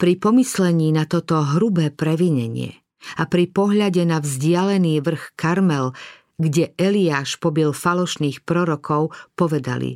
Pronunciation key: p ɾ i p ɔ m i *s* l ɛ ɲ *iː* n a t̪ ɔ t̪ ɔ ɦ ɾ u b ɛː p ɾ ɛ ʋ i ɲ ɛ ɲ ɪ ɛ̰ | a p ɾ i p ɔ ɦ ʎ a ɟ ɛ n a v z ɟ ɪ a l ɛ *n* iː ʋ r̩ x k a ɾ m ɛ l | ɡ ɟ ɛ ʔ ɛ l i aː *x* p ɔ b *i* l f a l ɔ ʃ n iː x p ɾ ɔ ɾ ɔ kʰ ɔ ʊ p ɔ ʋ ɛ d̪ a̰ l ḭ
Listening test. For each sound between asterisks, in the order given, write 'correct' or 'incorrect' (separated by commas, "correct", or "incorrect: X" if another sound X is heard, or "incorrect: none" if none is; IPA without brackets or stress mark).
correct, correct, correct, incorrect: ʃ, correct